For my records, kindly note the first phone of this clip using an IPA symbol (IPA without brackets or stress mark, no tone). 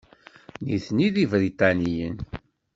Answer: n